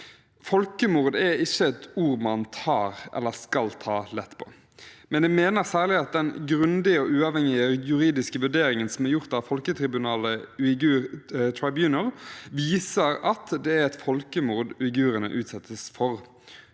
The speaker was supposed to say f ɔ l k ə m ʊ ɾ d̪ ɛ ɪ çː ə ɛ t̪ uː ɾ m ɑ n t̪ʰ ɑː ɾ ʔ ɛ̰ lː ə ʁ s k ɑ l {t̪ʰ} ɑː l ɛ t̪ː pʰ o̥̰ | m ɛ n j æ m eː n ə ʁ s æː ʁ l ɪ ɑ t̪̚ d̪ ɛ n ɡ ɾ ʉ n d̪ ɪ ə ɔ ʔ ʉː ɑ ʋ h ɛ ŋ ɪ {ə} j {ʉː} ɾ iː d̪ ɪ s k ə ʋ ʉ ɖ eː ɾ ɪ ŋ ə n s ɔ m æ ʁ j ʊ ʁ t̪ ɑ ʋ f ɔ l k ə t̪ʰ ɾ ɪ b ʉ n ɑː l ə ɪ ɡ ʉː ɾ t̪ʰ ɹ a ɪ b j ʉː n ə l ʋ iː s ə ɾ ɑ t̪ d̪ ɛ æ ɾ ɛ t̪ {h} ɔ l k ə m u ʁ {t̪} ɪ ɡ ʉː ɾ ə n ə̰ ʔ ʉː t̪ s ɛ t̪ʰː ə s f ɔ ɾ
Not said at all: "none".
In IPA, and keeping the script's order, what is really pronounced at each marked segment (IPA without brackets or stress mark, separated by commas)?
t̪ʰ, ə, ʉ, f, d̪